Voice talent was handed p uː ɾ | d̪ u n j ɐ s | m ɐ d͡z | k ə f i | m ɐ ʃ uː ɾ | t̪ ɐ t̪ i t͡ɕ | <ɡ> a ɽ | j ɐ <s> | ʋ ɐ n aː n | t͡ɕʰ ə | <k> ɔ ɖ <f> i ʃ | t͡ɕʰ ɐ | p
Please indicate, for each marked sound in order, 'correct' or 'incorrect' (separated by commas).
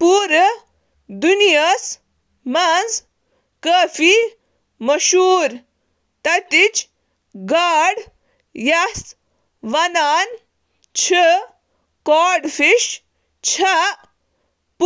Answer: correct, correct, correct, correct